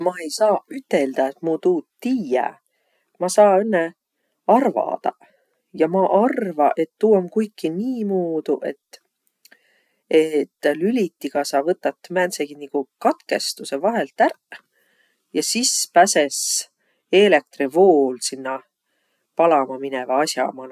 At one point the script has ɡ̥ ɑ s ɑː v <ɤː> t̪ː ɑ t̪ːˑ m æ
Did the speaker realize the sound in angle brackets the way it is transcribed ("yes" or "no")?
no